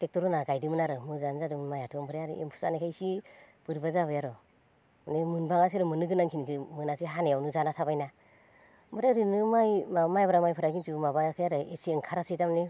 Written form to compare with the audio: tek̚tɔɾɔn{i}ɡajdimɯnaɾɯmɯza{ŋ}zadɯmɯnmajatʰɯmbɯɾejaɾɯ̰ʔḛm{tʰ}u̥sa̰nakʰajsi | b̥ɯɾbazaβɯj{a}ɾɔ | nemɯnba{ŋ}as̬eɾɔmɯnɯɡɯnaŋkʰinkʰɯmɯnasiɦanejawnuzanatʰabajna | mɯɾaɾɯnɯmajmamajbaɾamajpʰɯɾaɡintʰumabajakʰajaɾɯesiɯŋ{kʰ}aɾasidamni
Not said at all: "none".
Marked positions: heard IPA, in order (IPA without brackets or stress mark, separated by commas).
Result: a, n, pʰ, a, ŋ, kʰ